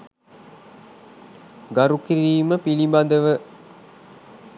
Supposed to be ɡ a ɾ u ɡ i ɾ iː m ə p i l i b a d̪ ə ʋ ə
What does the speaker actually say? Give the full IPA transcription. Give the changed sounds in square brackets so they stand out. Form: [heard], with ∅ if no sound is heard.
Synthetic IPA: ɡ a ɾ u [k] i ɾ iː m ə p i l i b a d̪ ə ʋ ə